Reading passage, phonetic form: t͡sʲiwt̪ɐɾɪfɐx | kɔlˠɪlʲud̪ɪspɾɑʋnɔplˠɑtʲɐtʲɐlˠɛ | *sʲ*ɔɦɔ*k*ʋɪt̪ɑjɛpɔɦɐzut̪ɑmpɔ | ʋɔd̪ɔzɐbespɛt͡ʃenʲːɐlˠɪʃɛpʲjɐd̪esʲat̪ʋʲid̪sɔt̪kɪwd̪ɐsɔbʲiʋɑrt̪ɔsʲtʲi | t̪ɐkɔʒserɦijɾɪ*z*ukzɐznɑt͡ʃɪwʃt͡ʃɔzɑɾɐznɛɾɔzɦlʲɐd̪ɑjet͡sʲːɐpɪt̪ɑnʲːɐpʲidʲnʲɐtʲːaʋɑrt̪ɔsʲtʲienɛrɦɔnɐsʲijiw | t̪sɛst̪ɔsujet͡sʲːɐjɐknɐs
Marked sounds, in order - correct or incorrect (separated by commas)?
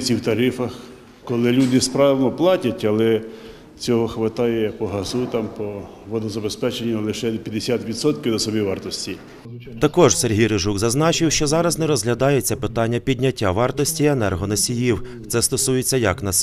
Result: incorrect, incorrect, incorrect